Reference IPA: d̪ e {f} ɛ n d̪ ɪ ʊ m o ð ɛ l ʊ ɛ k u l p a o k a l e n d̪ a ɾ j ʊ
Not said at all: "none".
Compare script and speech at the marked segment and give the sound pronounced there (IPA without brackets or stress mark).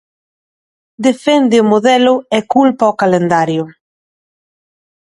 f